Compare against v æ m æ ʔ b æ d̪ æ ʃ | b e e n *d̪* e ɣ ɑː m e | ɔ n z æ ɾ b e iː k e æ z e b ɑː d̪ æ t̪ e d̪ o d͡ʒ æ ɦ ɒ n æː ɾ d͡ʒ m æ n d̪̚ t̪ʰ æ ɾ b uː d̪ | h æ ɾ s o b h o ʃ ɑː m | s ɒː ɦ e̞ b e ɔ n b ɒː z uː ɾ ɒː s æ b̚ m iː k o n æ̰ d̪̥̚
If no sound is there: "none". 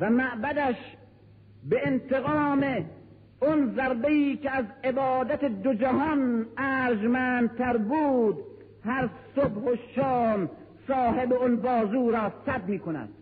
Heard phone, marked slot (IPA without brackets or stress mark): t̪